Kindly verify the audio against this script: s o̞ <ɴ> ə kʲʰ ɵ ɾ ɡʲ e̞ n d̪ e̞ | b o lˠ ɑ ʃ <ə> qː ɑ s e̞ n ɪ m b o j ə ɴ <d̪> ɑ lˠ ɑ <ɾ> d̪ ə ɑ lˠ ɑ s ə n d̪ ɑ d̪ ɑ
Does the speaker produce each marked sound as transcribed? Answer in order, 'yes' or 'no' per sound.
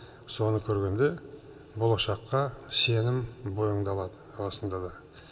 no, no, yes, no

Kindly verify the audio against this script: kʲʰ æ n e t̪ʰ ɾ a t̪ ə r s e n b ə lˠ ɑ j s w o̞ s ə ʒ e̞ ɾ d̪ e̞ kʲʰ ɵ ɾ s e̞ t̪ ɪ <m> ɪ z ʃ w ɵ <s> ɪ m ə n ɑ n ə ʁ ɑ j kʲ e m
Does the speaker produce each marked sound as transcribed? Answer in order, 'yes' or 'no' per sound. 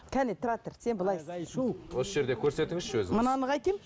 no, no

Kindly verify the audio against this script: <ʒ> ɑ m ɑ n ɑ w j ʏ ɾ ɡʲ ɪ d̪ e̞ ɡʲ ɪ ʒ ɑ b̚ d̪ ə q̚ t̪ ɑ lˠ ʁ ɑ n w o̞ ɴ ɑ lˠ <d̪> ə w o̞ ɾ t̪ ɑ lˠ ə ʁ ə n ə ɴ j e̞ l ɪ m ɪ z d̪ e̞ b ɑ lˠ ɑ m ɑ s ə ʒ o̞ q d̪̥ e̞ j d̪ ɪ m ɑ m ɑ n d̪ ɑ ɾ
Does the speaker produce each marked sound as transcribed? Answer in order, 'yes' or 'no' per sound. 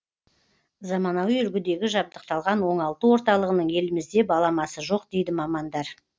no, no

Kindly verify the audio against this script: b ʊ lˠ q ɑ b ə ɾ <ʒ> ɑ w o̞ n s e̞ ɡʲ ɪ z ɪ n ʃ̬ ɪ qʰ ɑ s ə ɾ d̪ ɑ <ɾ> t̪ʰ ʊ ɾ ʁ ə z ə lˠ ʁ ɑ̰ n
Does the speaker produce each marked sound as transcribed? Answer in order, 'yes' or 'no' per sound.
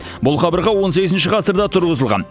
no, no

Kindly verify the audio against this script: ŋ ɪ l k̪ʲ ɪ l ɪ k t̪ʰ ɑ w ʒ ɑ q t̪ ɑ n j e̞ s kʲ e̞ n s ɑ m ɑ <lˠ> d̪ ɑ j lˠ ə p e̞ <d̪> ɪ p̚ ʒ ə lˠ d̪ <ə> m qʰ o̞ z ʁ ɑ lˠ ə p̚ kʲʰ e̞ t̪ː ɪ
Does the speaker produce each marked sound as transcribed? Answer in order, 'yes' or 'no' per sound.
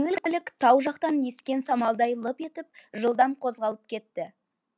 yes, no, no

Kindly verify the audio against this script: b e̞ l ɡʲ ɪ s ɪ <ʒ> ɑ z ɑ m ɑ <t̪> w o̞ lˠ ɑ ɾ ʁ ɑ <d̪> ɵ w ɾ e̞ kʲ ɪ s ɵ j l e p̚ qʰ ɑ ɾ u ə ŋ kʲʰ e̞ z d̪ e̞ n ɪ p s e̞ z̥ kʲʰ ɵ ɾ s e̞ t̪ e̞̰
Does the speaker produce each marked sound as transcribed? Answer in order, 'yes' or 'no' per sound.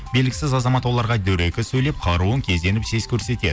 no, yes, yes

